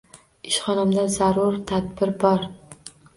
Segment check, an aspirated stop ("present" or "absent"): present